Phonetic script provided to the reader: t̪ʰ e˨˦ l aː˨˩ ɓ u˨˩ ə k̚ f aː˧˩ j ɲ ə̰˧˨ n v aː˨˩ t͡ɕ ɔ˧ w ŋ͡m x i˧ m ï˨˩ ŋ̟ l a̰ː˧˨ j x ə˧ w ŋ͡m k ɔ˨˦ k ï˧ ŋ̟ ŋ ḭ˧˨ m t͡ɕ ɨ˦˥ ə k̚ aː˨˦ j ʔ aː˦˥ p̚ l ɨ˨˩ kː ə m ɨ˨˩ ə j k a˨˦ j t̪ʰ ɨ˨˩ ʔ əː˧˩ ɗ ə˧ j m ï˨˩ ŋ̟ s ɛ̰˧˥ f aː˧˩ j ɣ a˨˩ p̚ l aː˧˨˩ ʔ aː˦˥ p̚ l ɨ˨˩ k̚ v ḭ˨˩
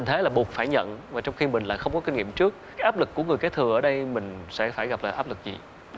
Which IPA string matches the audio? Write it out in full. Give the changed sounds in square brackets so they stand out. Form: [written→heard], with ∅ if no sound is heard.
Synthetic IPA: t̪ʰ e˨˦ l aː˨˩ ɓ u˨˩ ə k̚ f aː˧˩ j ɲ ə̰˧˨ n v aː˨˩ t͡ɕ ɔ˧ w ŋ͡m x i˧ m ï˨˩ ŋ̟ l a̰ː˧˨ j x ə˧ w ŋ͡m k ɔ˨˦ k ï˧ ŋ̟ ŋ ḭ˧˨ m t͡ɕ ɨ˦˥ ə k̚ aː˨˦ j ʔ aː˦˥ p̚ l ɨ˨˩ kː ə [m→ŋ] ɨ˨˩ ə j k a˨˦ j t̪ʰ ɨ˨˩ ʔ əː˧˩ ɗ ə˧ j m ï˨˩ ŋ̟ s ɛ̰˧˥ f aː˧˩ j ɣ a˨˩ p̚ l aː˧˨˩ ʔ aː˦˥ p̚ l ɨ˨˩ k̚ [v→z] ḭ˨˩